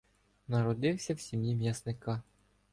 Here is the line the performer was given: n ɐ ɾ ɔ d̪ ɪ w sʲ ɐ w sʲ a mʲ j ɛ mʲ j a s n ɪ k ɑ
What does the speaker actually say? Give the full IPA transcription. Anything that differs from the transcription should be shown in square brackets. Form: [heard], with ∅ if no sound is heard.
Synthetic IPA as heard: n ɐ ɾ ɔ d̪ ɪ w sʲ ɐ w sʲ [i] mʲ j [i] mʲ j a s n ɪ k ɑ